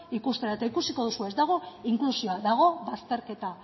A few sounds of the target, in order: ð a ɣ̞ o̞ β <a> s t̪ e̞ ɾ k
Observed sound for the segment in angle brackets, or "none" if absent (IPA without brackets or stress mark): a